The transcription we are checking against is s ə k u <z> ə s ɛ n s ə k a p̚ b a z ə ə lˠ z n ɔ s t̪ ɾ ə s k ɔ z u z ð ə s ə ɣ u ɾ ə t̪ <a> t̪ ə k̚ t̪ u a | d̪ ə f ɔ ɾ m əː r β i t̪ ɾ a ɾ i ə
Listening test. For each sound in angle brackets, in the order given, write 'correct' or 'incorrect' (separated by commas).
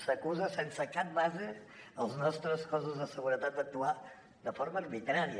correct, correct